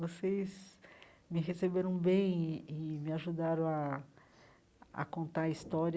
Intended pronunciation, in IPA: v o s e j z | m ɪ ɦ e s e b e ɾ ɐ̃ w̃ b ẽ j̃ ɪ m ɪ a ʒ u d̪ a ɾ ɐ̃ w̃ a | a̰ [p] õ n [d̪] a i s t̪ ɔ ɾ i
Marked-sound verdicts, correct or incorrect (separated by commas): incorrect, incorrect